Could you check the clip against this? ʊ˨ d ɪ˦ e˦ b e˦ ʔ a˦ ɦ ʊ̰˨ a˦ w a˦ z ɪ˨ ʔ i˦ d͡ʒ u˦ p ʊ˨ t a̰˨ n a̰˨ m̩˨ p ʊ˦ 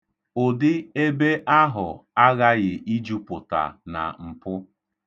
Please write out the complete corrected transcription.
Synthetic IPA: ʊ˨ d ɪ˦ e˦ b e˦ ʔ a˦ ɦ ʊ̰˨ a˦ ɣ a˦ ɣ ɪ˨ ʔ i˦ d͡ʒ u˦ p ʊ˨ t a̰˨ n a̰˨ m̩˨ p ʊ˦